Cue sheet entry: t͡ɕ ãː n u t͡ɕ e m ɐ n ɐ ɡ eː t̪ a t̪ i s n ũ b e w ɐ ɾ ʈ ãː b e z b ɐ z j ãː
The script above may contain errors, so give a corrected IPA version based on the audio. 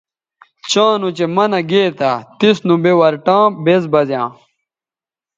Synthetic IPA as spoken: t͡ɕ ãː n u t͡ɕ e m ɐ n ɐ ɡ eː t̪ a t̪ i s n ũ b e w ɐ ɾ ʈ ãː b e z b ɐ z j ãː